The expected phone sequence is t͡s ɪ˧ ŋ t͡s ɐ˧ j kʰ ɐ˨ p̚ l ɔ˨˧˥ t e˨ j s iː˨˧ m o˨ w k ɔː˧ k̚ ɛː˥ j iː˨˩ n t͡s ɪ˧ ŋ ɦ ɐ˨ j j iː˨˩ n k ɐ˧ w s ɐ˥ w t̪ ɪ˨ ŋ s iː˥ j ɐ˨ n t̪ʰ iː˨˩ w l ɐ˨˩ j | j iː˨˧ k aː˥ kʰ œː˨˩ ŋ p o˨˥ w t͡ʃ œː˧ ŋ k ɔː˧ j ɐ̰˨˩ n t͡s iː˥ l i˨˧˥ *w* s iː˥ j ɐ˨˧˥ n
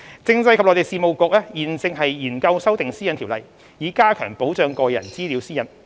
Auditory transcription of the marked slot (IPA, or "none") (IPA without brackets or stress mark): w